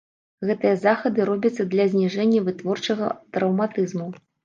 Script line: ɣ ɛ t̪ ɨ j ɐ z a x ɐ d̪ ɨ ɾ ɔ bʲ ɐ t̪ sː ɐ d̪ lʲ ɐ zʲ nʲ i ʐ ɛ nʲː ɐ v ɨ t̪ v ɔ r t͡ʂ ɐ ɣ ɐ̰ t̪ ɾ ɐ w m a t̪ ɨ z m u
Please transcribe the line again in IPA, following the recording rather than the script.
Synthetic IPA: ɣ ɛ t̪ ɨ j ɐ z a x ɐ d̪ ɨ ɾ ɔ bʲ ɐ t̪ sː ɐ d̪ lʲ ɐ zʲ nʲ i ʐ ɛ nʲː ɐ v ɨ t̪ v ɔ r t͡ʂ ɐ ɣ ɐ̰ t̪ ɾ ɐ w m a t̪ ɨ z m u